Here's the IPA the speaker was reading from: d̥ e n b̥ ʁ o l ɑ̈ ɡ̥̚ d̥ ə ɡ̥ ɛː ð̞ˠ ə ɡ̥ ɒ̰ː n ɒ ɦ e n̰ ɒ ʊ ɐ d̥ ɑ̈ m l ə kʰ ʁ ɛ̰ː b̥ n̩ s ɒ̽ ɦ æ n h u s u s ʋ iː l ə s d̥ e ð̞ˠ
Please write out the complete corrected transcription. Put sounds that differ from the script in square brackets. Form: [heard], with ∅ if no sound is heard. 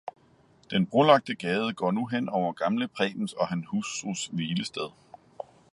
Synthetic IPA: d̥ e n b̥ ʁ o l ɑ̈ ɡ̥̚ d̥ ə ɡ̥ ɛː ð̞ˠ ə ɡ̥ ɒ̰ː n [u] ɦ e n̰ ɒ ʊ ɐ [ɡ̥] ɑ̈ m l ə [pʰ] ʁ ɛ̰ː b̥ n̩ s ɒ̽ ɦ æ n h u s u s ʋ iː l ə s d̥ e ð̞ˠ